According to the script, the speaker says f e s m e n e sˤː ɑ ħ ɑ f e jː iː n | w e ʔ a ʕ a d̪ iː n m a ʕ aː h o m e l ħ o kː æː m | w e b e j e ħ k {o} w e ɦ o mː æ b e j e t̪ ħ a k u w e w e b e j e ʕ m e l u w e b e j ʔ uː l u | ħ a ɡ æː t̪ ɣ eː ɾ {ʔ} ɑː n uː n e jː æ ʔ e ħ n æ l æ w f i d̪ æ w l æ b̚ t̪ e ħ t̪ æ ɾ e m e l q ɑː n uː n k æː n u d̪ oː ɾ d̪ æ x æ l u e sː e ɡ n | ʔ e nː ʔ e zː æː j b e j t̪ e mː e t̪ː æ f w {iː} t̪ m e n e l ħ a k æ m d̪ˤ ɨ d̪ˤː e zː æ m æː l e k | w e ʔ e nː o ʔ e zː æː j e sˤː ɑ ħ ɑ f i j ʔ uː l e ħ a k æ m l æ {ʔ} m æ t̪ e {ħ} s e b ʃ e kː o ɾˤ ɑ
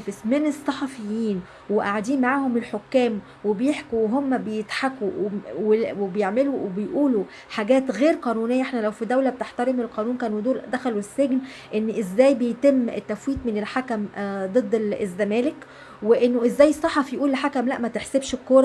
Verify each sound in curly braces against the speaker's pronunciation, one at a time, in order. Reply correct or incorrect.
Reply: incorrect, incorrect, correct, correct, correct

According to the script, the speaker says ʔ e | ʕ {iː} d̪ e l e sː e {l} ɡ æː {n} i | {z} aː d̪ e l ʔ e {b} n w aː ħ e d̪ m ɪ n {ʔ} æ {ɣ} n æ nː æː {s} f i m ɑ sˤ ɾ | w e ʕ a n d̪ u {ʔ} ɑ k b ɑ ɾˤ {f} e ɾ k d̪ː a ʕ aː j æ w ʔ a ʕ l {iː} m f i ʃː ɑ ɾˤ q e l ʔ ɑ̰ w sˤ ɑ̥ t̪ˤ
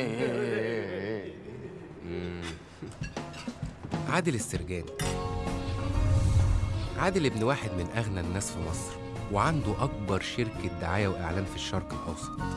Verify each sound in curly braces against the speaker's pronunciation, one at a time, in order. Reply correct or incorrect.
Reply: incorrect, incorrect, correct, incorrect, correct, correct, correct, correct, correct, incorrect, incorrect

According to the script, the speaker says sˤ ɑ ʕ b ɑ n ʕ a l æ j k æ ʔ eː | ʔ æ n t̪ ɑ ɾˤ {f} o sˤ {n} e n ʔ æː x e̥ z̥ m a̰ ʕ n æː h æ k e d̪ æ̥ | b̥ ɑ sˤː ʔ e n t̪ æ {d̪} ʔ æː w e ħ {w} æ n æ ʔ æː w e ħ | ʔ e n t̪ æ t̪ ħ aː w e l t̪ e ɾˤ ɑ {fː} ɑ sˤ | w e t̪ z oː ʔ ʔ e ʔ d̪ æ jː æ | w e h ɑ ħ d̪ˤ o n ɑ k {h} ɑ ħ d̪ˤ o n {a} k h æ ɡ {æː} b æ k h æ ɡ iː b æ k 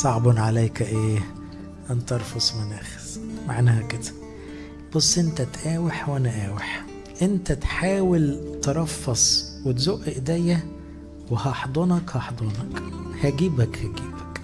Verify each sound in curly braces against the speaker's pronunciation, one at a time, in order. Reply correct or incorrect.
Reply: correct, incorrect, incorrect, correct, correct, correct, incorrect, incorrect

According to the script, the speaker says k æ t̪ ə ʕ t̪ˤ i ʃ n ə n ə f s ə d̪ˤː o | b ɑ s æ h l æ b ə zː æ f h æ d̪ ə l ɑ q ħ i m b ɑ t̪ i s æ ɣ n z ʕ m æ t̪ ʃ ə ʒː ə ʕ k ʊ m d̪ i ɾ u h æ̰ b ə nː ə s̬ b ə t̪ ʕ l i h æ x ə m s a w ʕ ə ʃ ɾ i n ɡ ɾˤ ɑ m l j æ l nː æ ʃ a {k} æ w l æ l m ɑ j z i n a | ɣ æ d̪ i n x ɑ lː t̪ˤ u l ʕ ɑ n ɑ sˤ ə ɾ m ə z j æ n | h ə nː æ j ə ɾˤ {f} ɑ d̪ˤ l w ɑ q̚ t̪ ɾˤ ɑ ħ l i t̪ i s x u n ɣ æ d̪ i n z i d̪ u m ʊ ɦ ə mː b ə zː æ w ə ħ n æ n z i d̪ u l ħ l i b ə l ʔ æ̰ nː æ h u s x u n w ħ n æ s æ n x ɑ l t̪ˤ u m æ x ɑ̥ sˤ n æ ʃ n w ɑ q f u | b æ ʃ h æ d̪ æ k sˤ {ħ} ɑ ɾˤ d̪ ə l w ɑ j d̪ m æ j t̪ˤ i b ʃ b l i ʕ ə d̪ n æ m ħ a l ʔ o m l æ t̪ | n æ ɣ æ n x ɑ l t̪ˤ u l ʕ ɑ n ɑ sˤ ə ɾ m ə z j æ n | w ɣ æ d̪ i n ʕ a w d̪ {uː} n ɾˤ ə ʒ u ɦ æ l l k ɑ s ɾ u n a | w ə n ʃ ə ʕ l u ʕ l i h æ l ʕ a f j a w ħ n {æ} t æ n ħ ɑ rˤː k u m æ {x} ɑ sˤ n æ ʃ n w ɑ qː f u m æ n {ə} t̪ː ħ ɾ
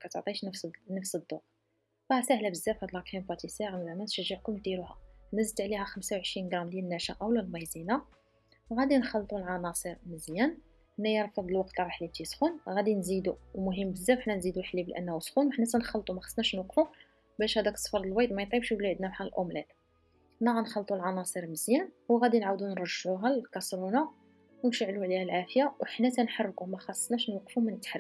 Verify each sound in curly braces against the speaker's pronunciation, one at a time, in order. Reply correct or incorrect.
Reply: incorrect, correct, incorrect, incorrect, correct, correct, correct

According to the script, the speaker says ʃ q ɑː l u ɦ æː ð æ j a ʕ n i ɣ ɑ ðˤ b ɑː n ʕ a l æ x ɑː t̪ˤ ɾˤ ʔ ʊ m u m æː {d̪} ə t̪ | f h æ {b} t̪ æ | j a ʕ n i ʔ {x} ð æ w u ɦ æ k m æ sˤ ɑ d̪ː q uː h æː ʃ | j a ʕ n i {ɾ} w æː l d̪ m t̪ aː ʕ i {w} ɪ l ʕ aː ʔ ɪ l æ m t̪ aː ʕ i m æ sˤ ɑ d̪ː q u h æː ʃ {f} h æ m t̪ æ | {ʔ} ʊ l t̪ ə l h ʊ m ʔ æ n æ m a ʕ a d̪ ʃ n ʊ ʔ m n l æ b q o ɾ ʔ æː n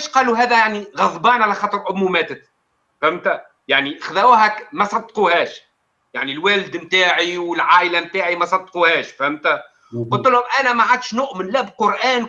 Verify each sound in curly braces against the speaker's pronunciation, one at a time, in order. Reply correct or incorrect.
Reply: incorrect, incorrect, correct, incorrect, correct, correct, incorrect

